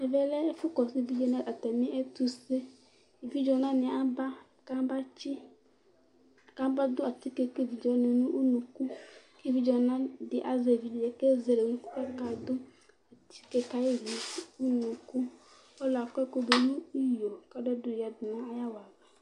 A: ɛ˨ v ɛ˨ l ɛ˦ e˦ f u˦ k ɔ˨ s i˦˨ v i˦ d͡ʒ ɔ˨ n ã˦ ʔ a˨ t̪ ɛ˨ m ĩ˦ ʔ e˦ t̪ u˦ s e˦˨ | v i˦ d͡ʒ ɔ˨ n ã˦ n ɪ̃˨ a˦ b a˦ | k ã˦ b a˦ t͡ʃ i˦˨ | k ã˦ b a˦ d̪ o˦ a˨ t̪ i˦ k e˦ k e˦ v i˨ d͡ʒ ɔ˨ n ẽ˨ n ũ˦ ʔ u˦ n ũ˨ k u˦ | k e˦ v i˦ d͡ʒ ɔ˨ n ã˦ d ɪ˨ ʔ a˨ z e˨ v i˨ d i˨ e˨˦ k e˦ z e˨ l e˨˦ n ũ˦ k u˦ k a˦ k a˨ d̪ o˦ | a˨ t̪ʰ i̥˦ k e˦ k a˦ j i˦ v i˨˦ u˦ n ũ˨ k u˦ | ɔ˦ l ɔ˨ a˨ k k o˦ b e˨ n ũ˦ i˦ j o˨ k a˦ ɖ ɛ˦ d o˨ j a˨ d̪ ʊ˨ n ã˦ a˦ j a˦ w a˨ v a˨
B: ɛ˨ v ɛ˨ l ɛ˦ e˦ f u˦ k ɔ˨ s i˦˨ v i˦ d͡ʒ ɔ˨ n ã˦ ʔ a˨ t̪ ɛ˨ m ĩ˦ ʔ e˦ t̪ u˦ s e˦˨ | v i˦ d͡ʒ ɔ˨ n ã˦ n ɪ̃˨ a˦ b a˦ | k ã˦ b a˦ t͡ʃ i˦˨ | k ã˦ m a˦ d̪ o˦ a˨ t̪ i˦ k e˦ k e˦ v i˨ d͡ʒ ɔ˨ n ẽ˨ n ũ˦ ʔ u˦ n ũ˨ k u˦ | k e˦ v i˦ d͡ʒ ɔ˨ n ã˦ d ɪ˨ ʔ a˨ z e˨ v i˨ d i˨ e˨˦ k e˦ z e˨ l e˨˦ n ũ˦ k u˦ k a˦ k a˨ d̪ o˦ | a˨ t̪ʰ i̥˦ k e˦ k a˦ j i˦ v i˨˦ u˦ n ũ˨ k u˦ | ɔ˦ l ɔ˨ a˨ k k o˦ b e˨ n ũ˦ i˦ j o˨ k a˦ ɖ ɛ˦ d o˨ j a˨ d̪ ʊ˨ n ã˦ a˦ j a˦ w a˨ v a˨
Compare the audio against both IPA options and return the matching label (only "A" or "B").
A